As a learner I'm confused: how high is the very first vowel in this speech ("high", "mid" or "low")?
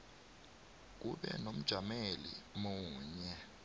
high